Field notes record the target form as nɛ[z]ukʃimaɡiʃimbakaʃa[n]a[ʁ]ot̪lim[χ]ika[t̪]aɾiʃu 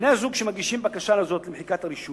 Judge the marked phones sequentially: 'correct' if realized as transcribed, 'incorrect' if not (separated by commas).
correct, correct, incorrect, incorrect, correct